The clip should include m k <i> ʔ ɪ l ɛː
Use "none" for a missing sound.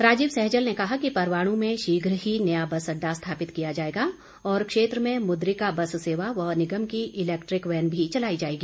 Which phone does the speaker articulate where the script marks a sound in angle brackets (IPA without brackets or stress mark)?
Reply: i